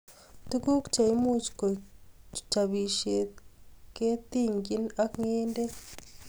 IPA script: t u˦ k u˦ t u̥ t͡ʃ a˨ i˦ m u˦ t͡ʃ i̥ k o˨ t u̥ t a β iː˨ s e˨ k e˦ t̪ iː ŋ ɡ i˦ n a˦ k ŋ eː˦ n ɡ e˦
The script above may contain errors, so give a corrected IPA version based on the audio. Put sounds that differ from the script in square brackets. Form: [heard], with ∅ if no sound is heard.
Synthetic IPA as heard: t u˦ k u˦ [k] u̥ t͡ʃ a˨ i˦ m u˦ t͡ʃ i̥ k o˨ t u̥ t a β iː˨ [ʃ] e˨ k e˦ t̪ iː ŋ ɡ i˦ n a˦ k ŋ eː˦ n [d] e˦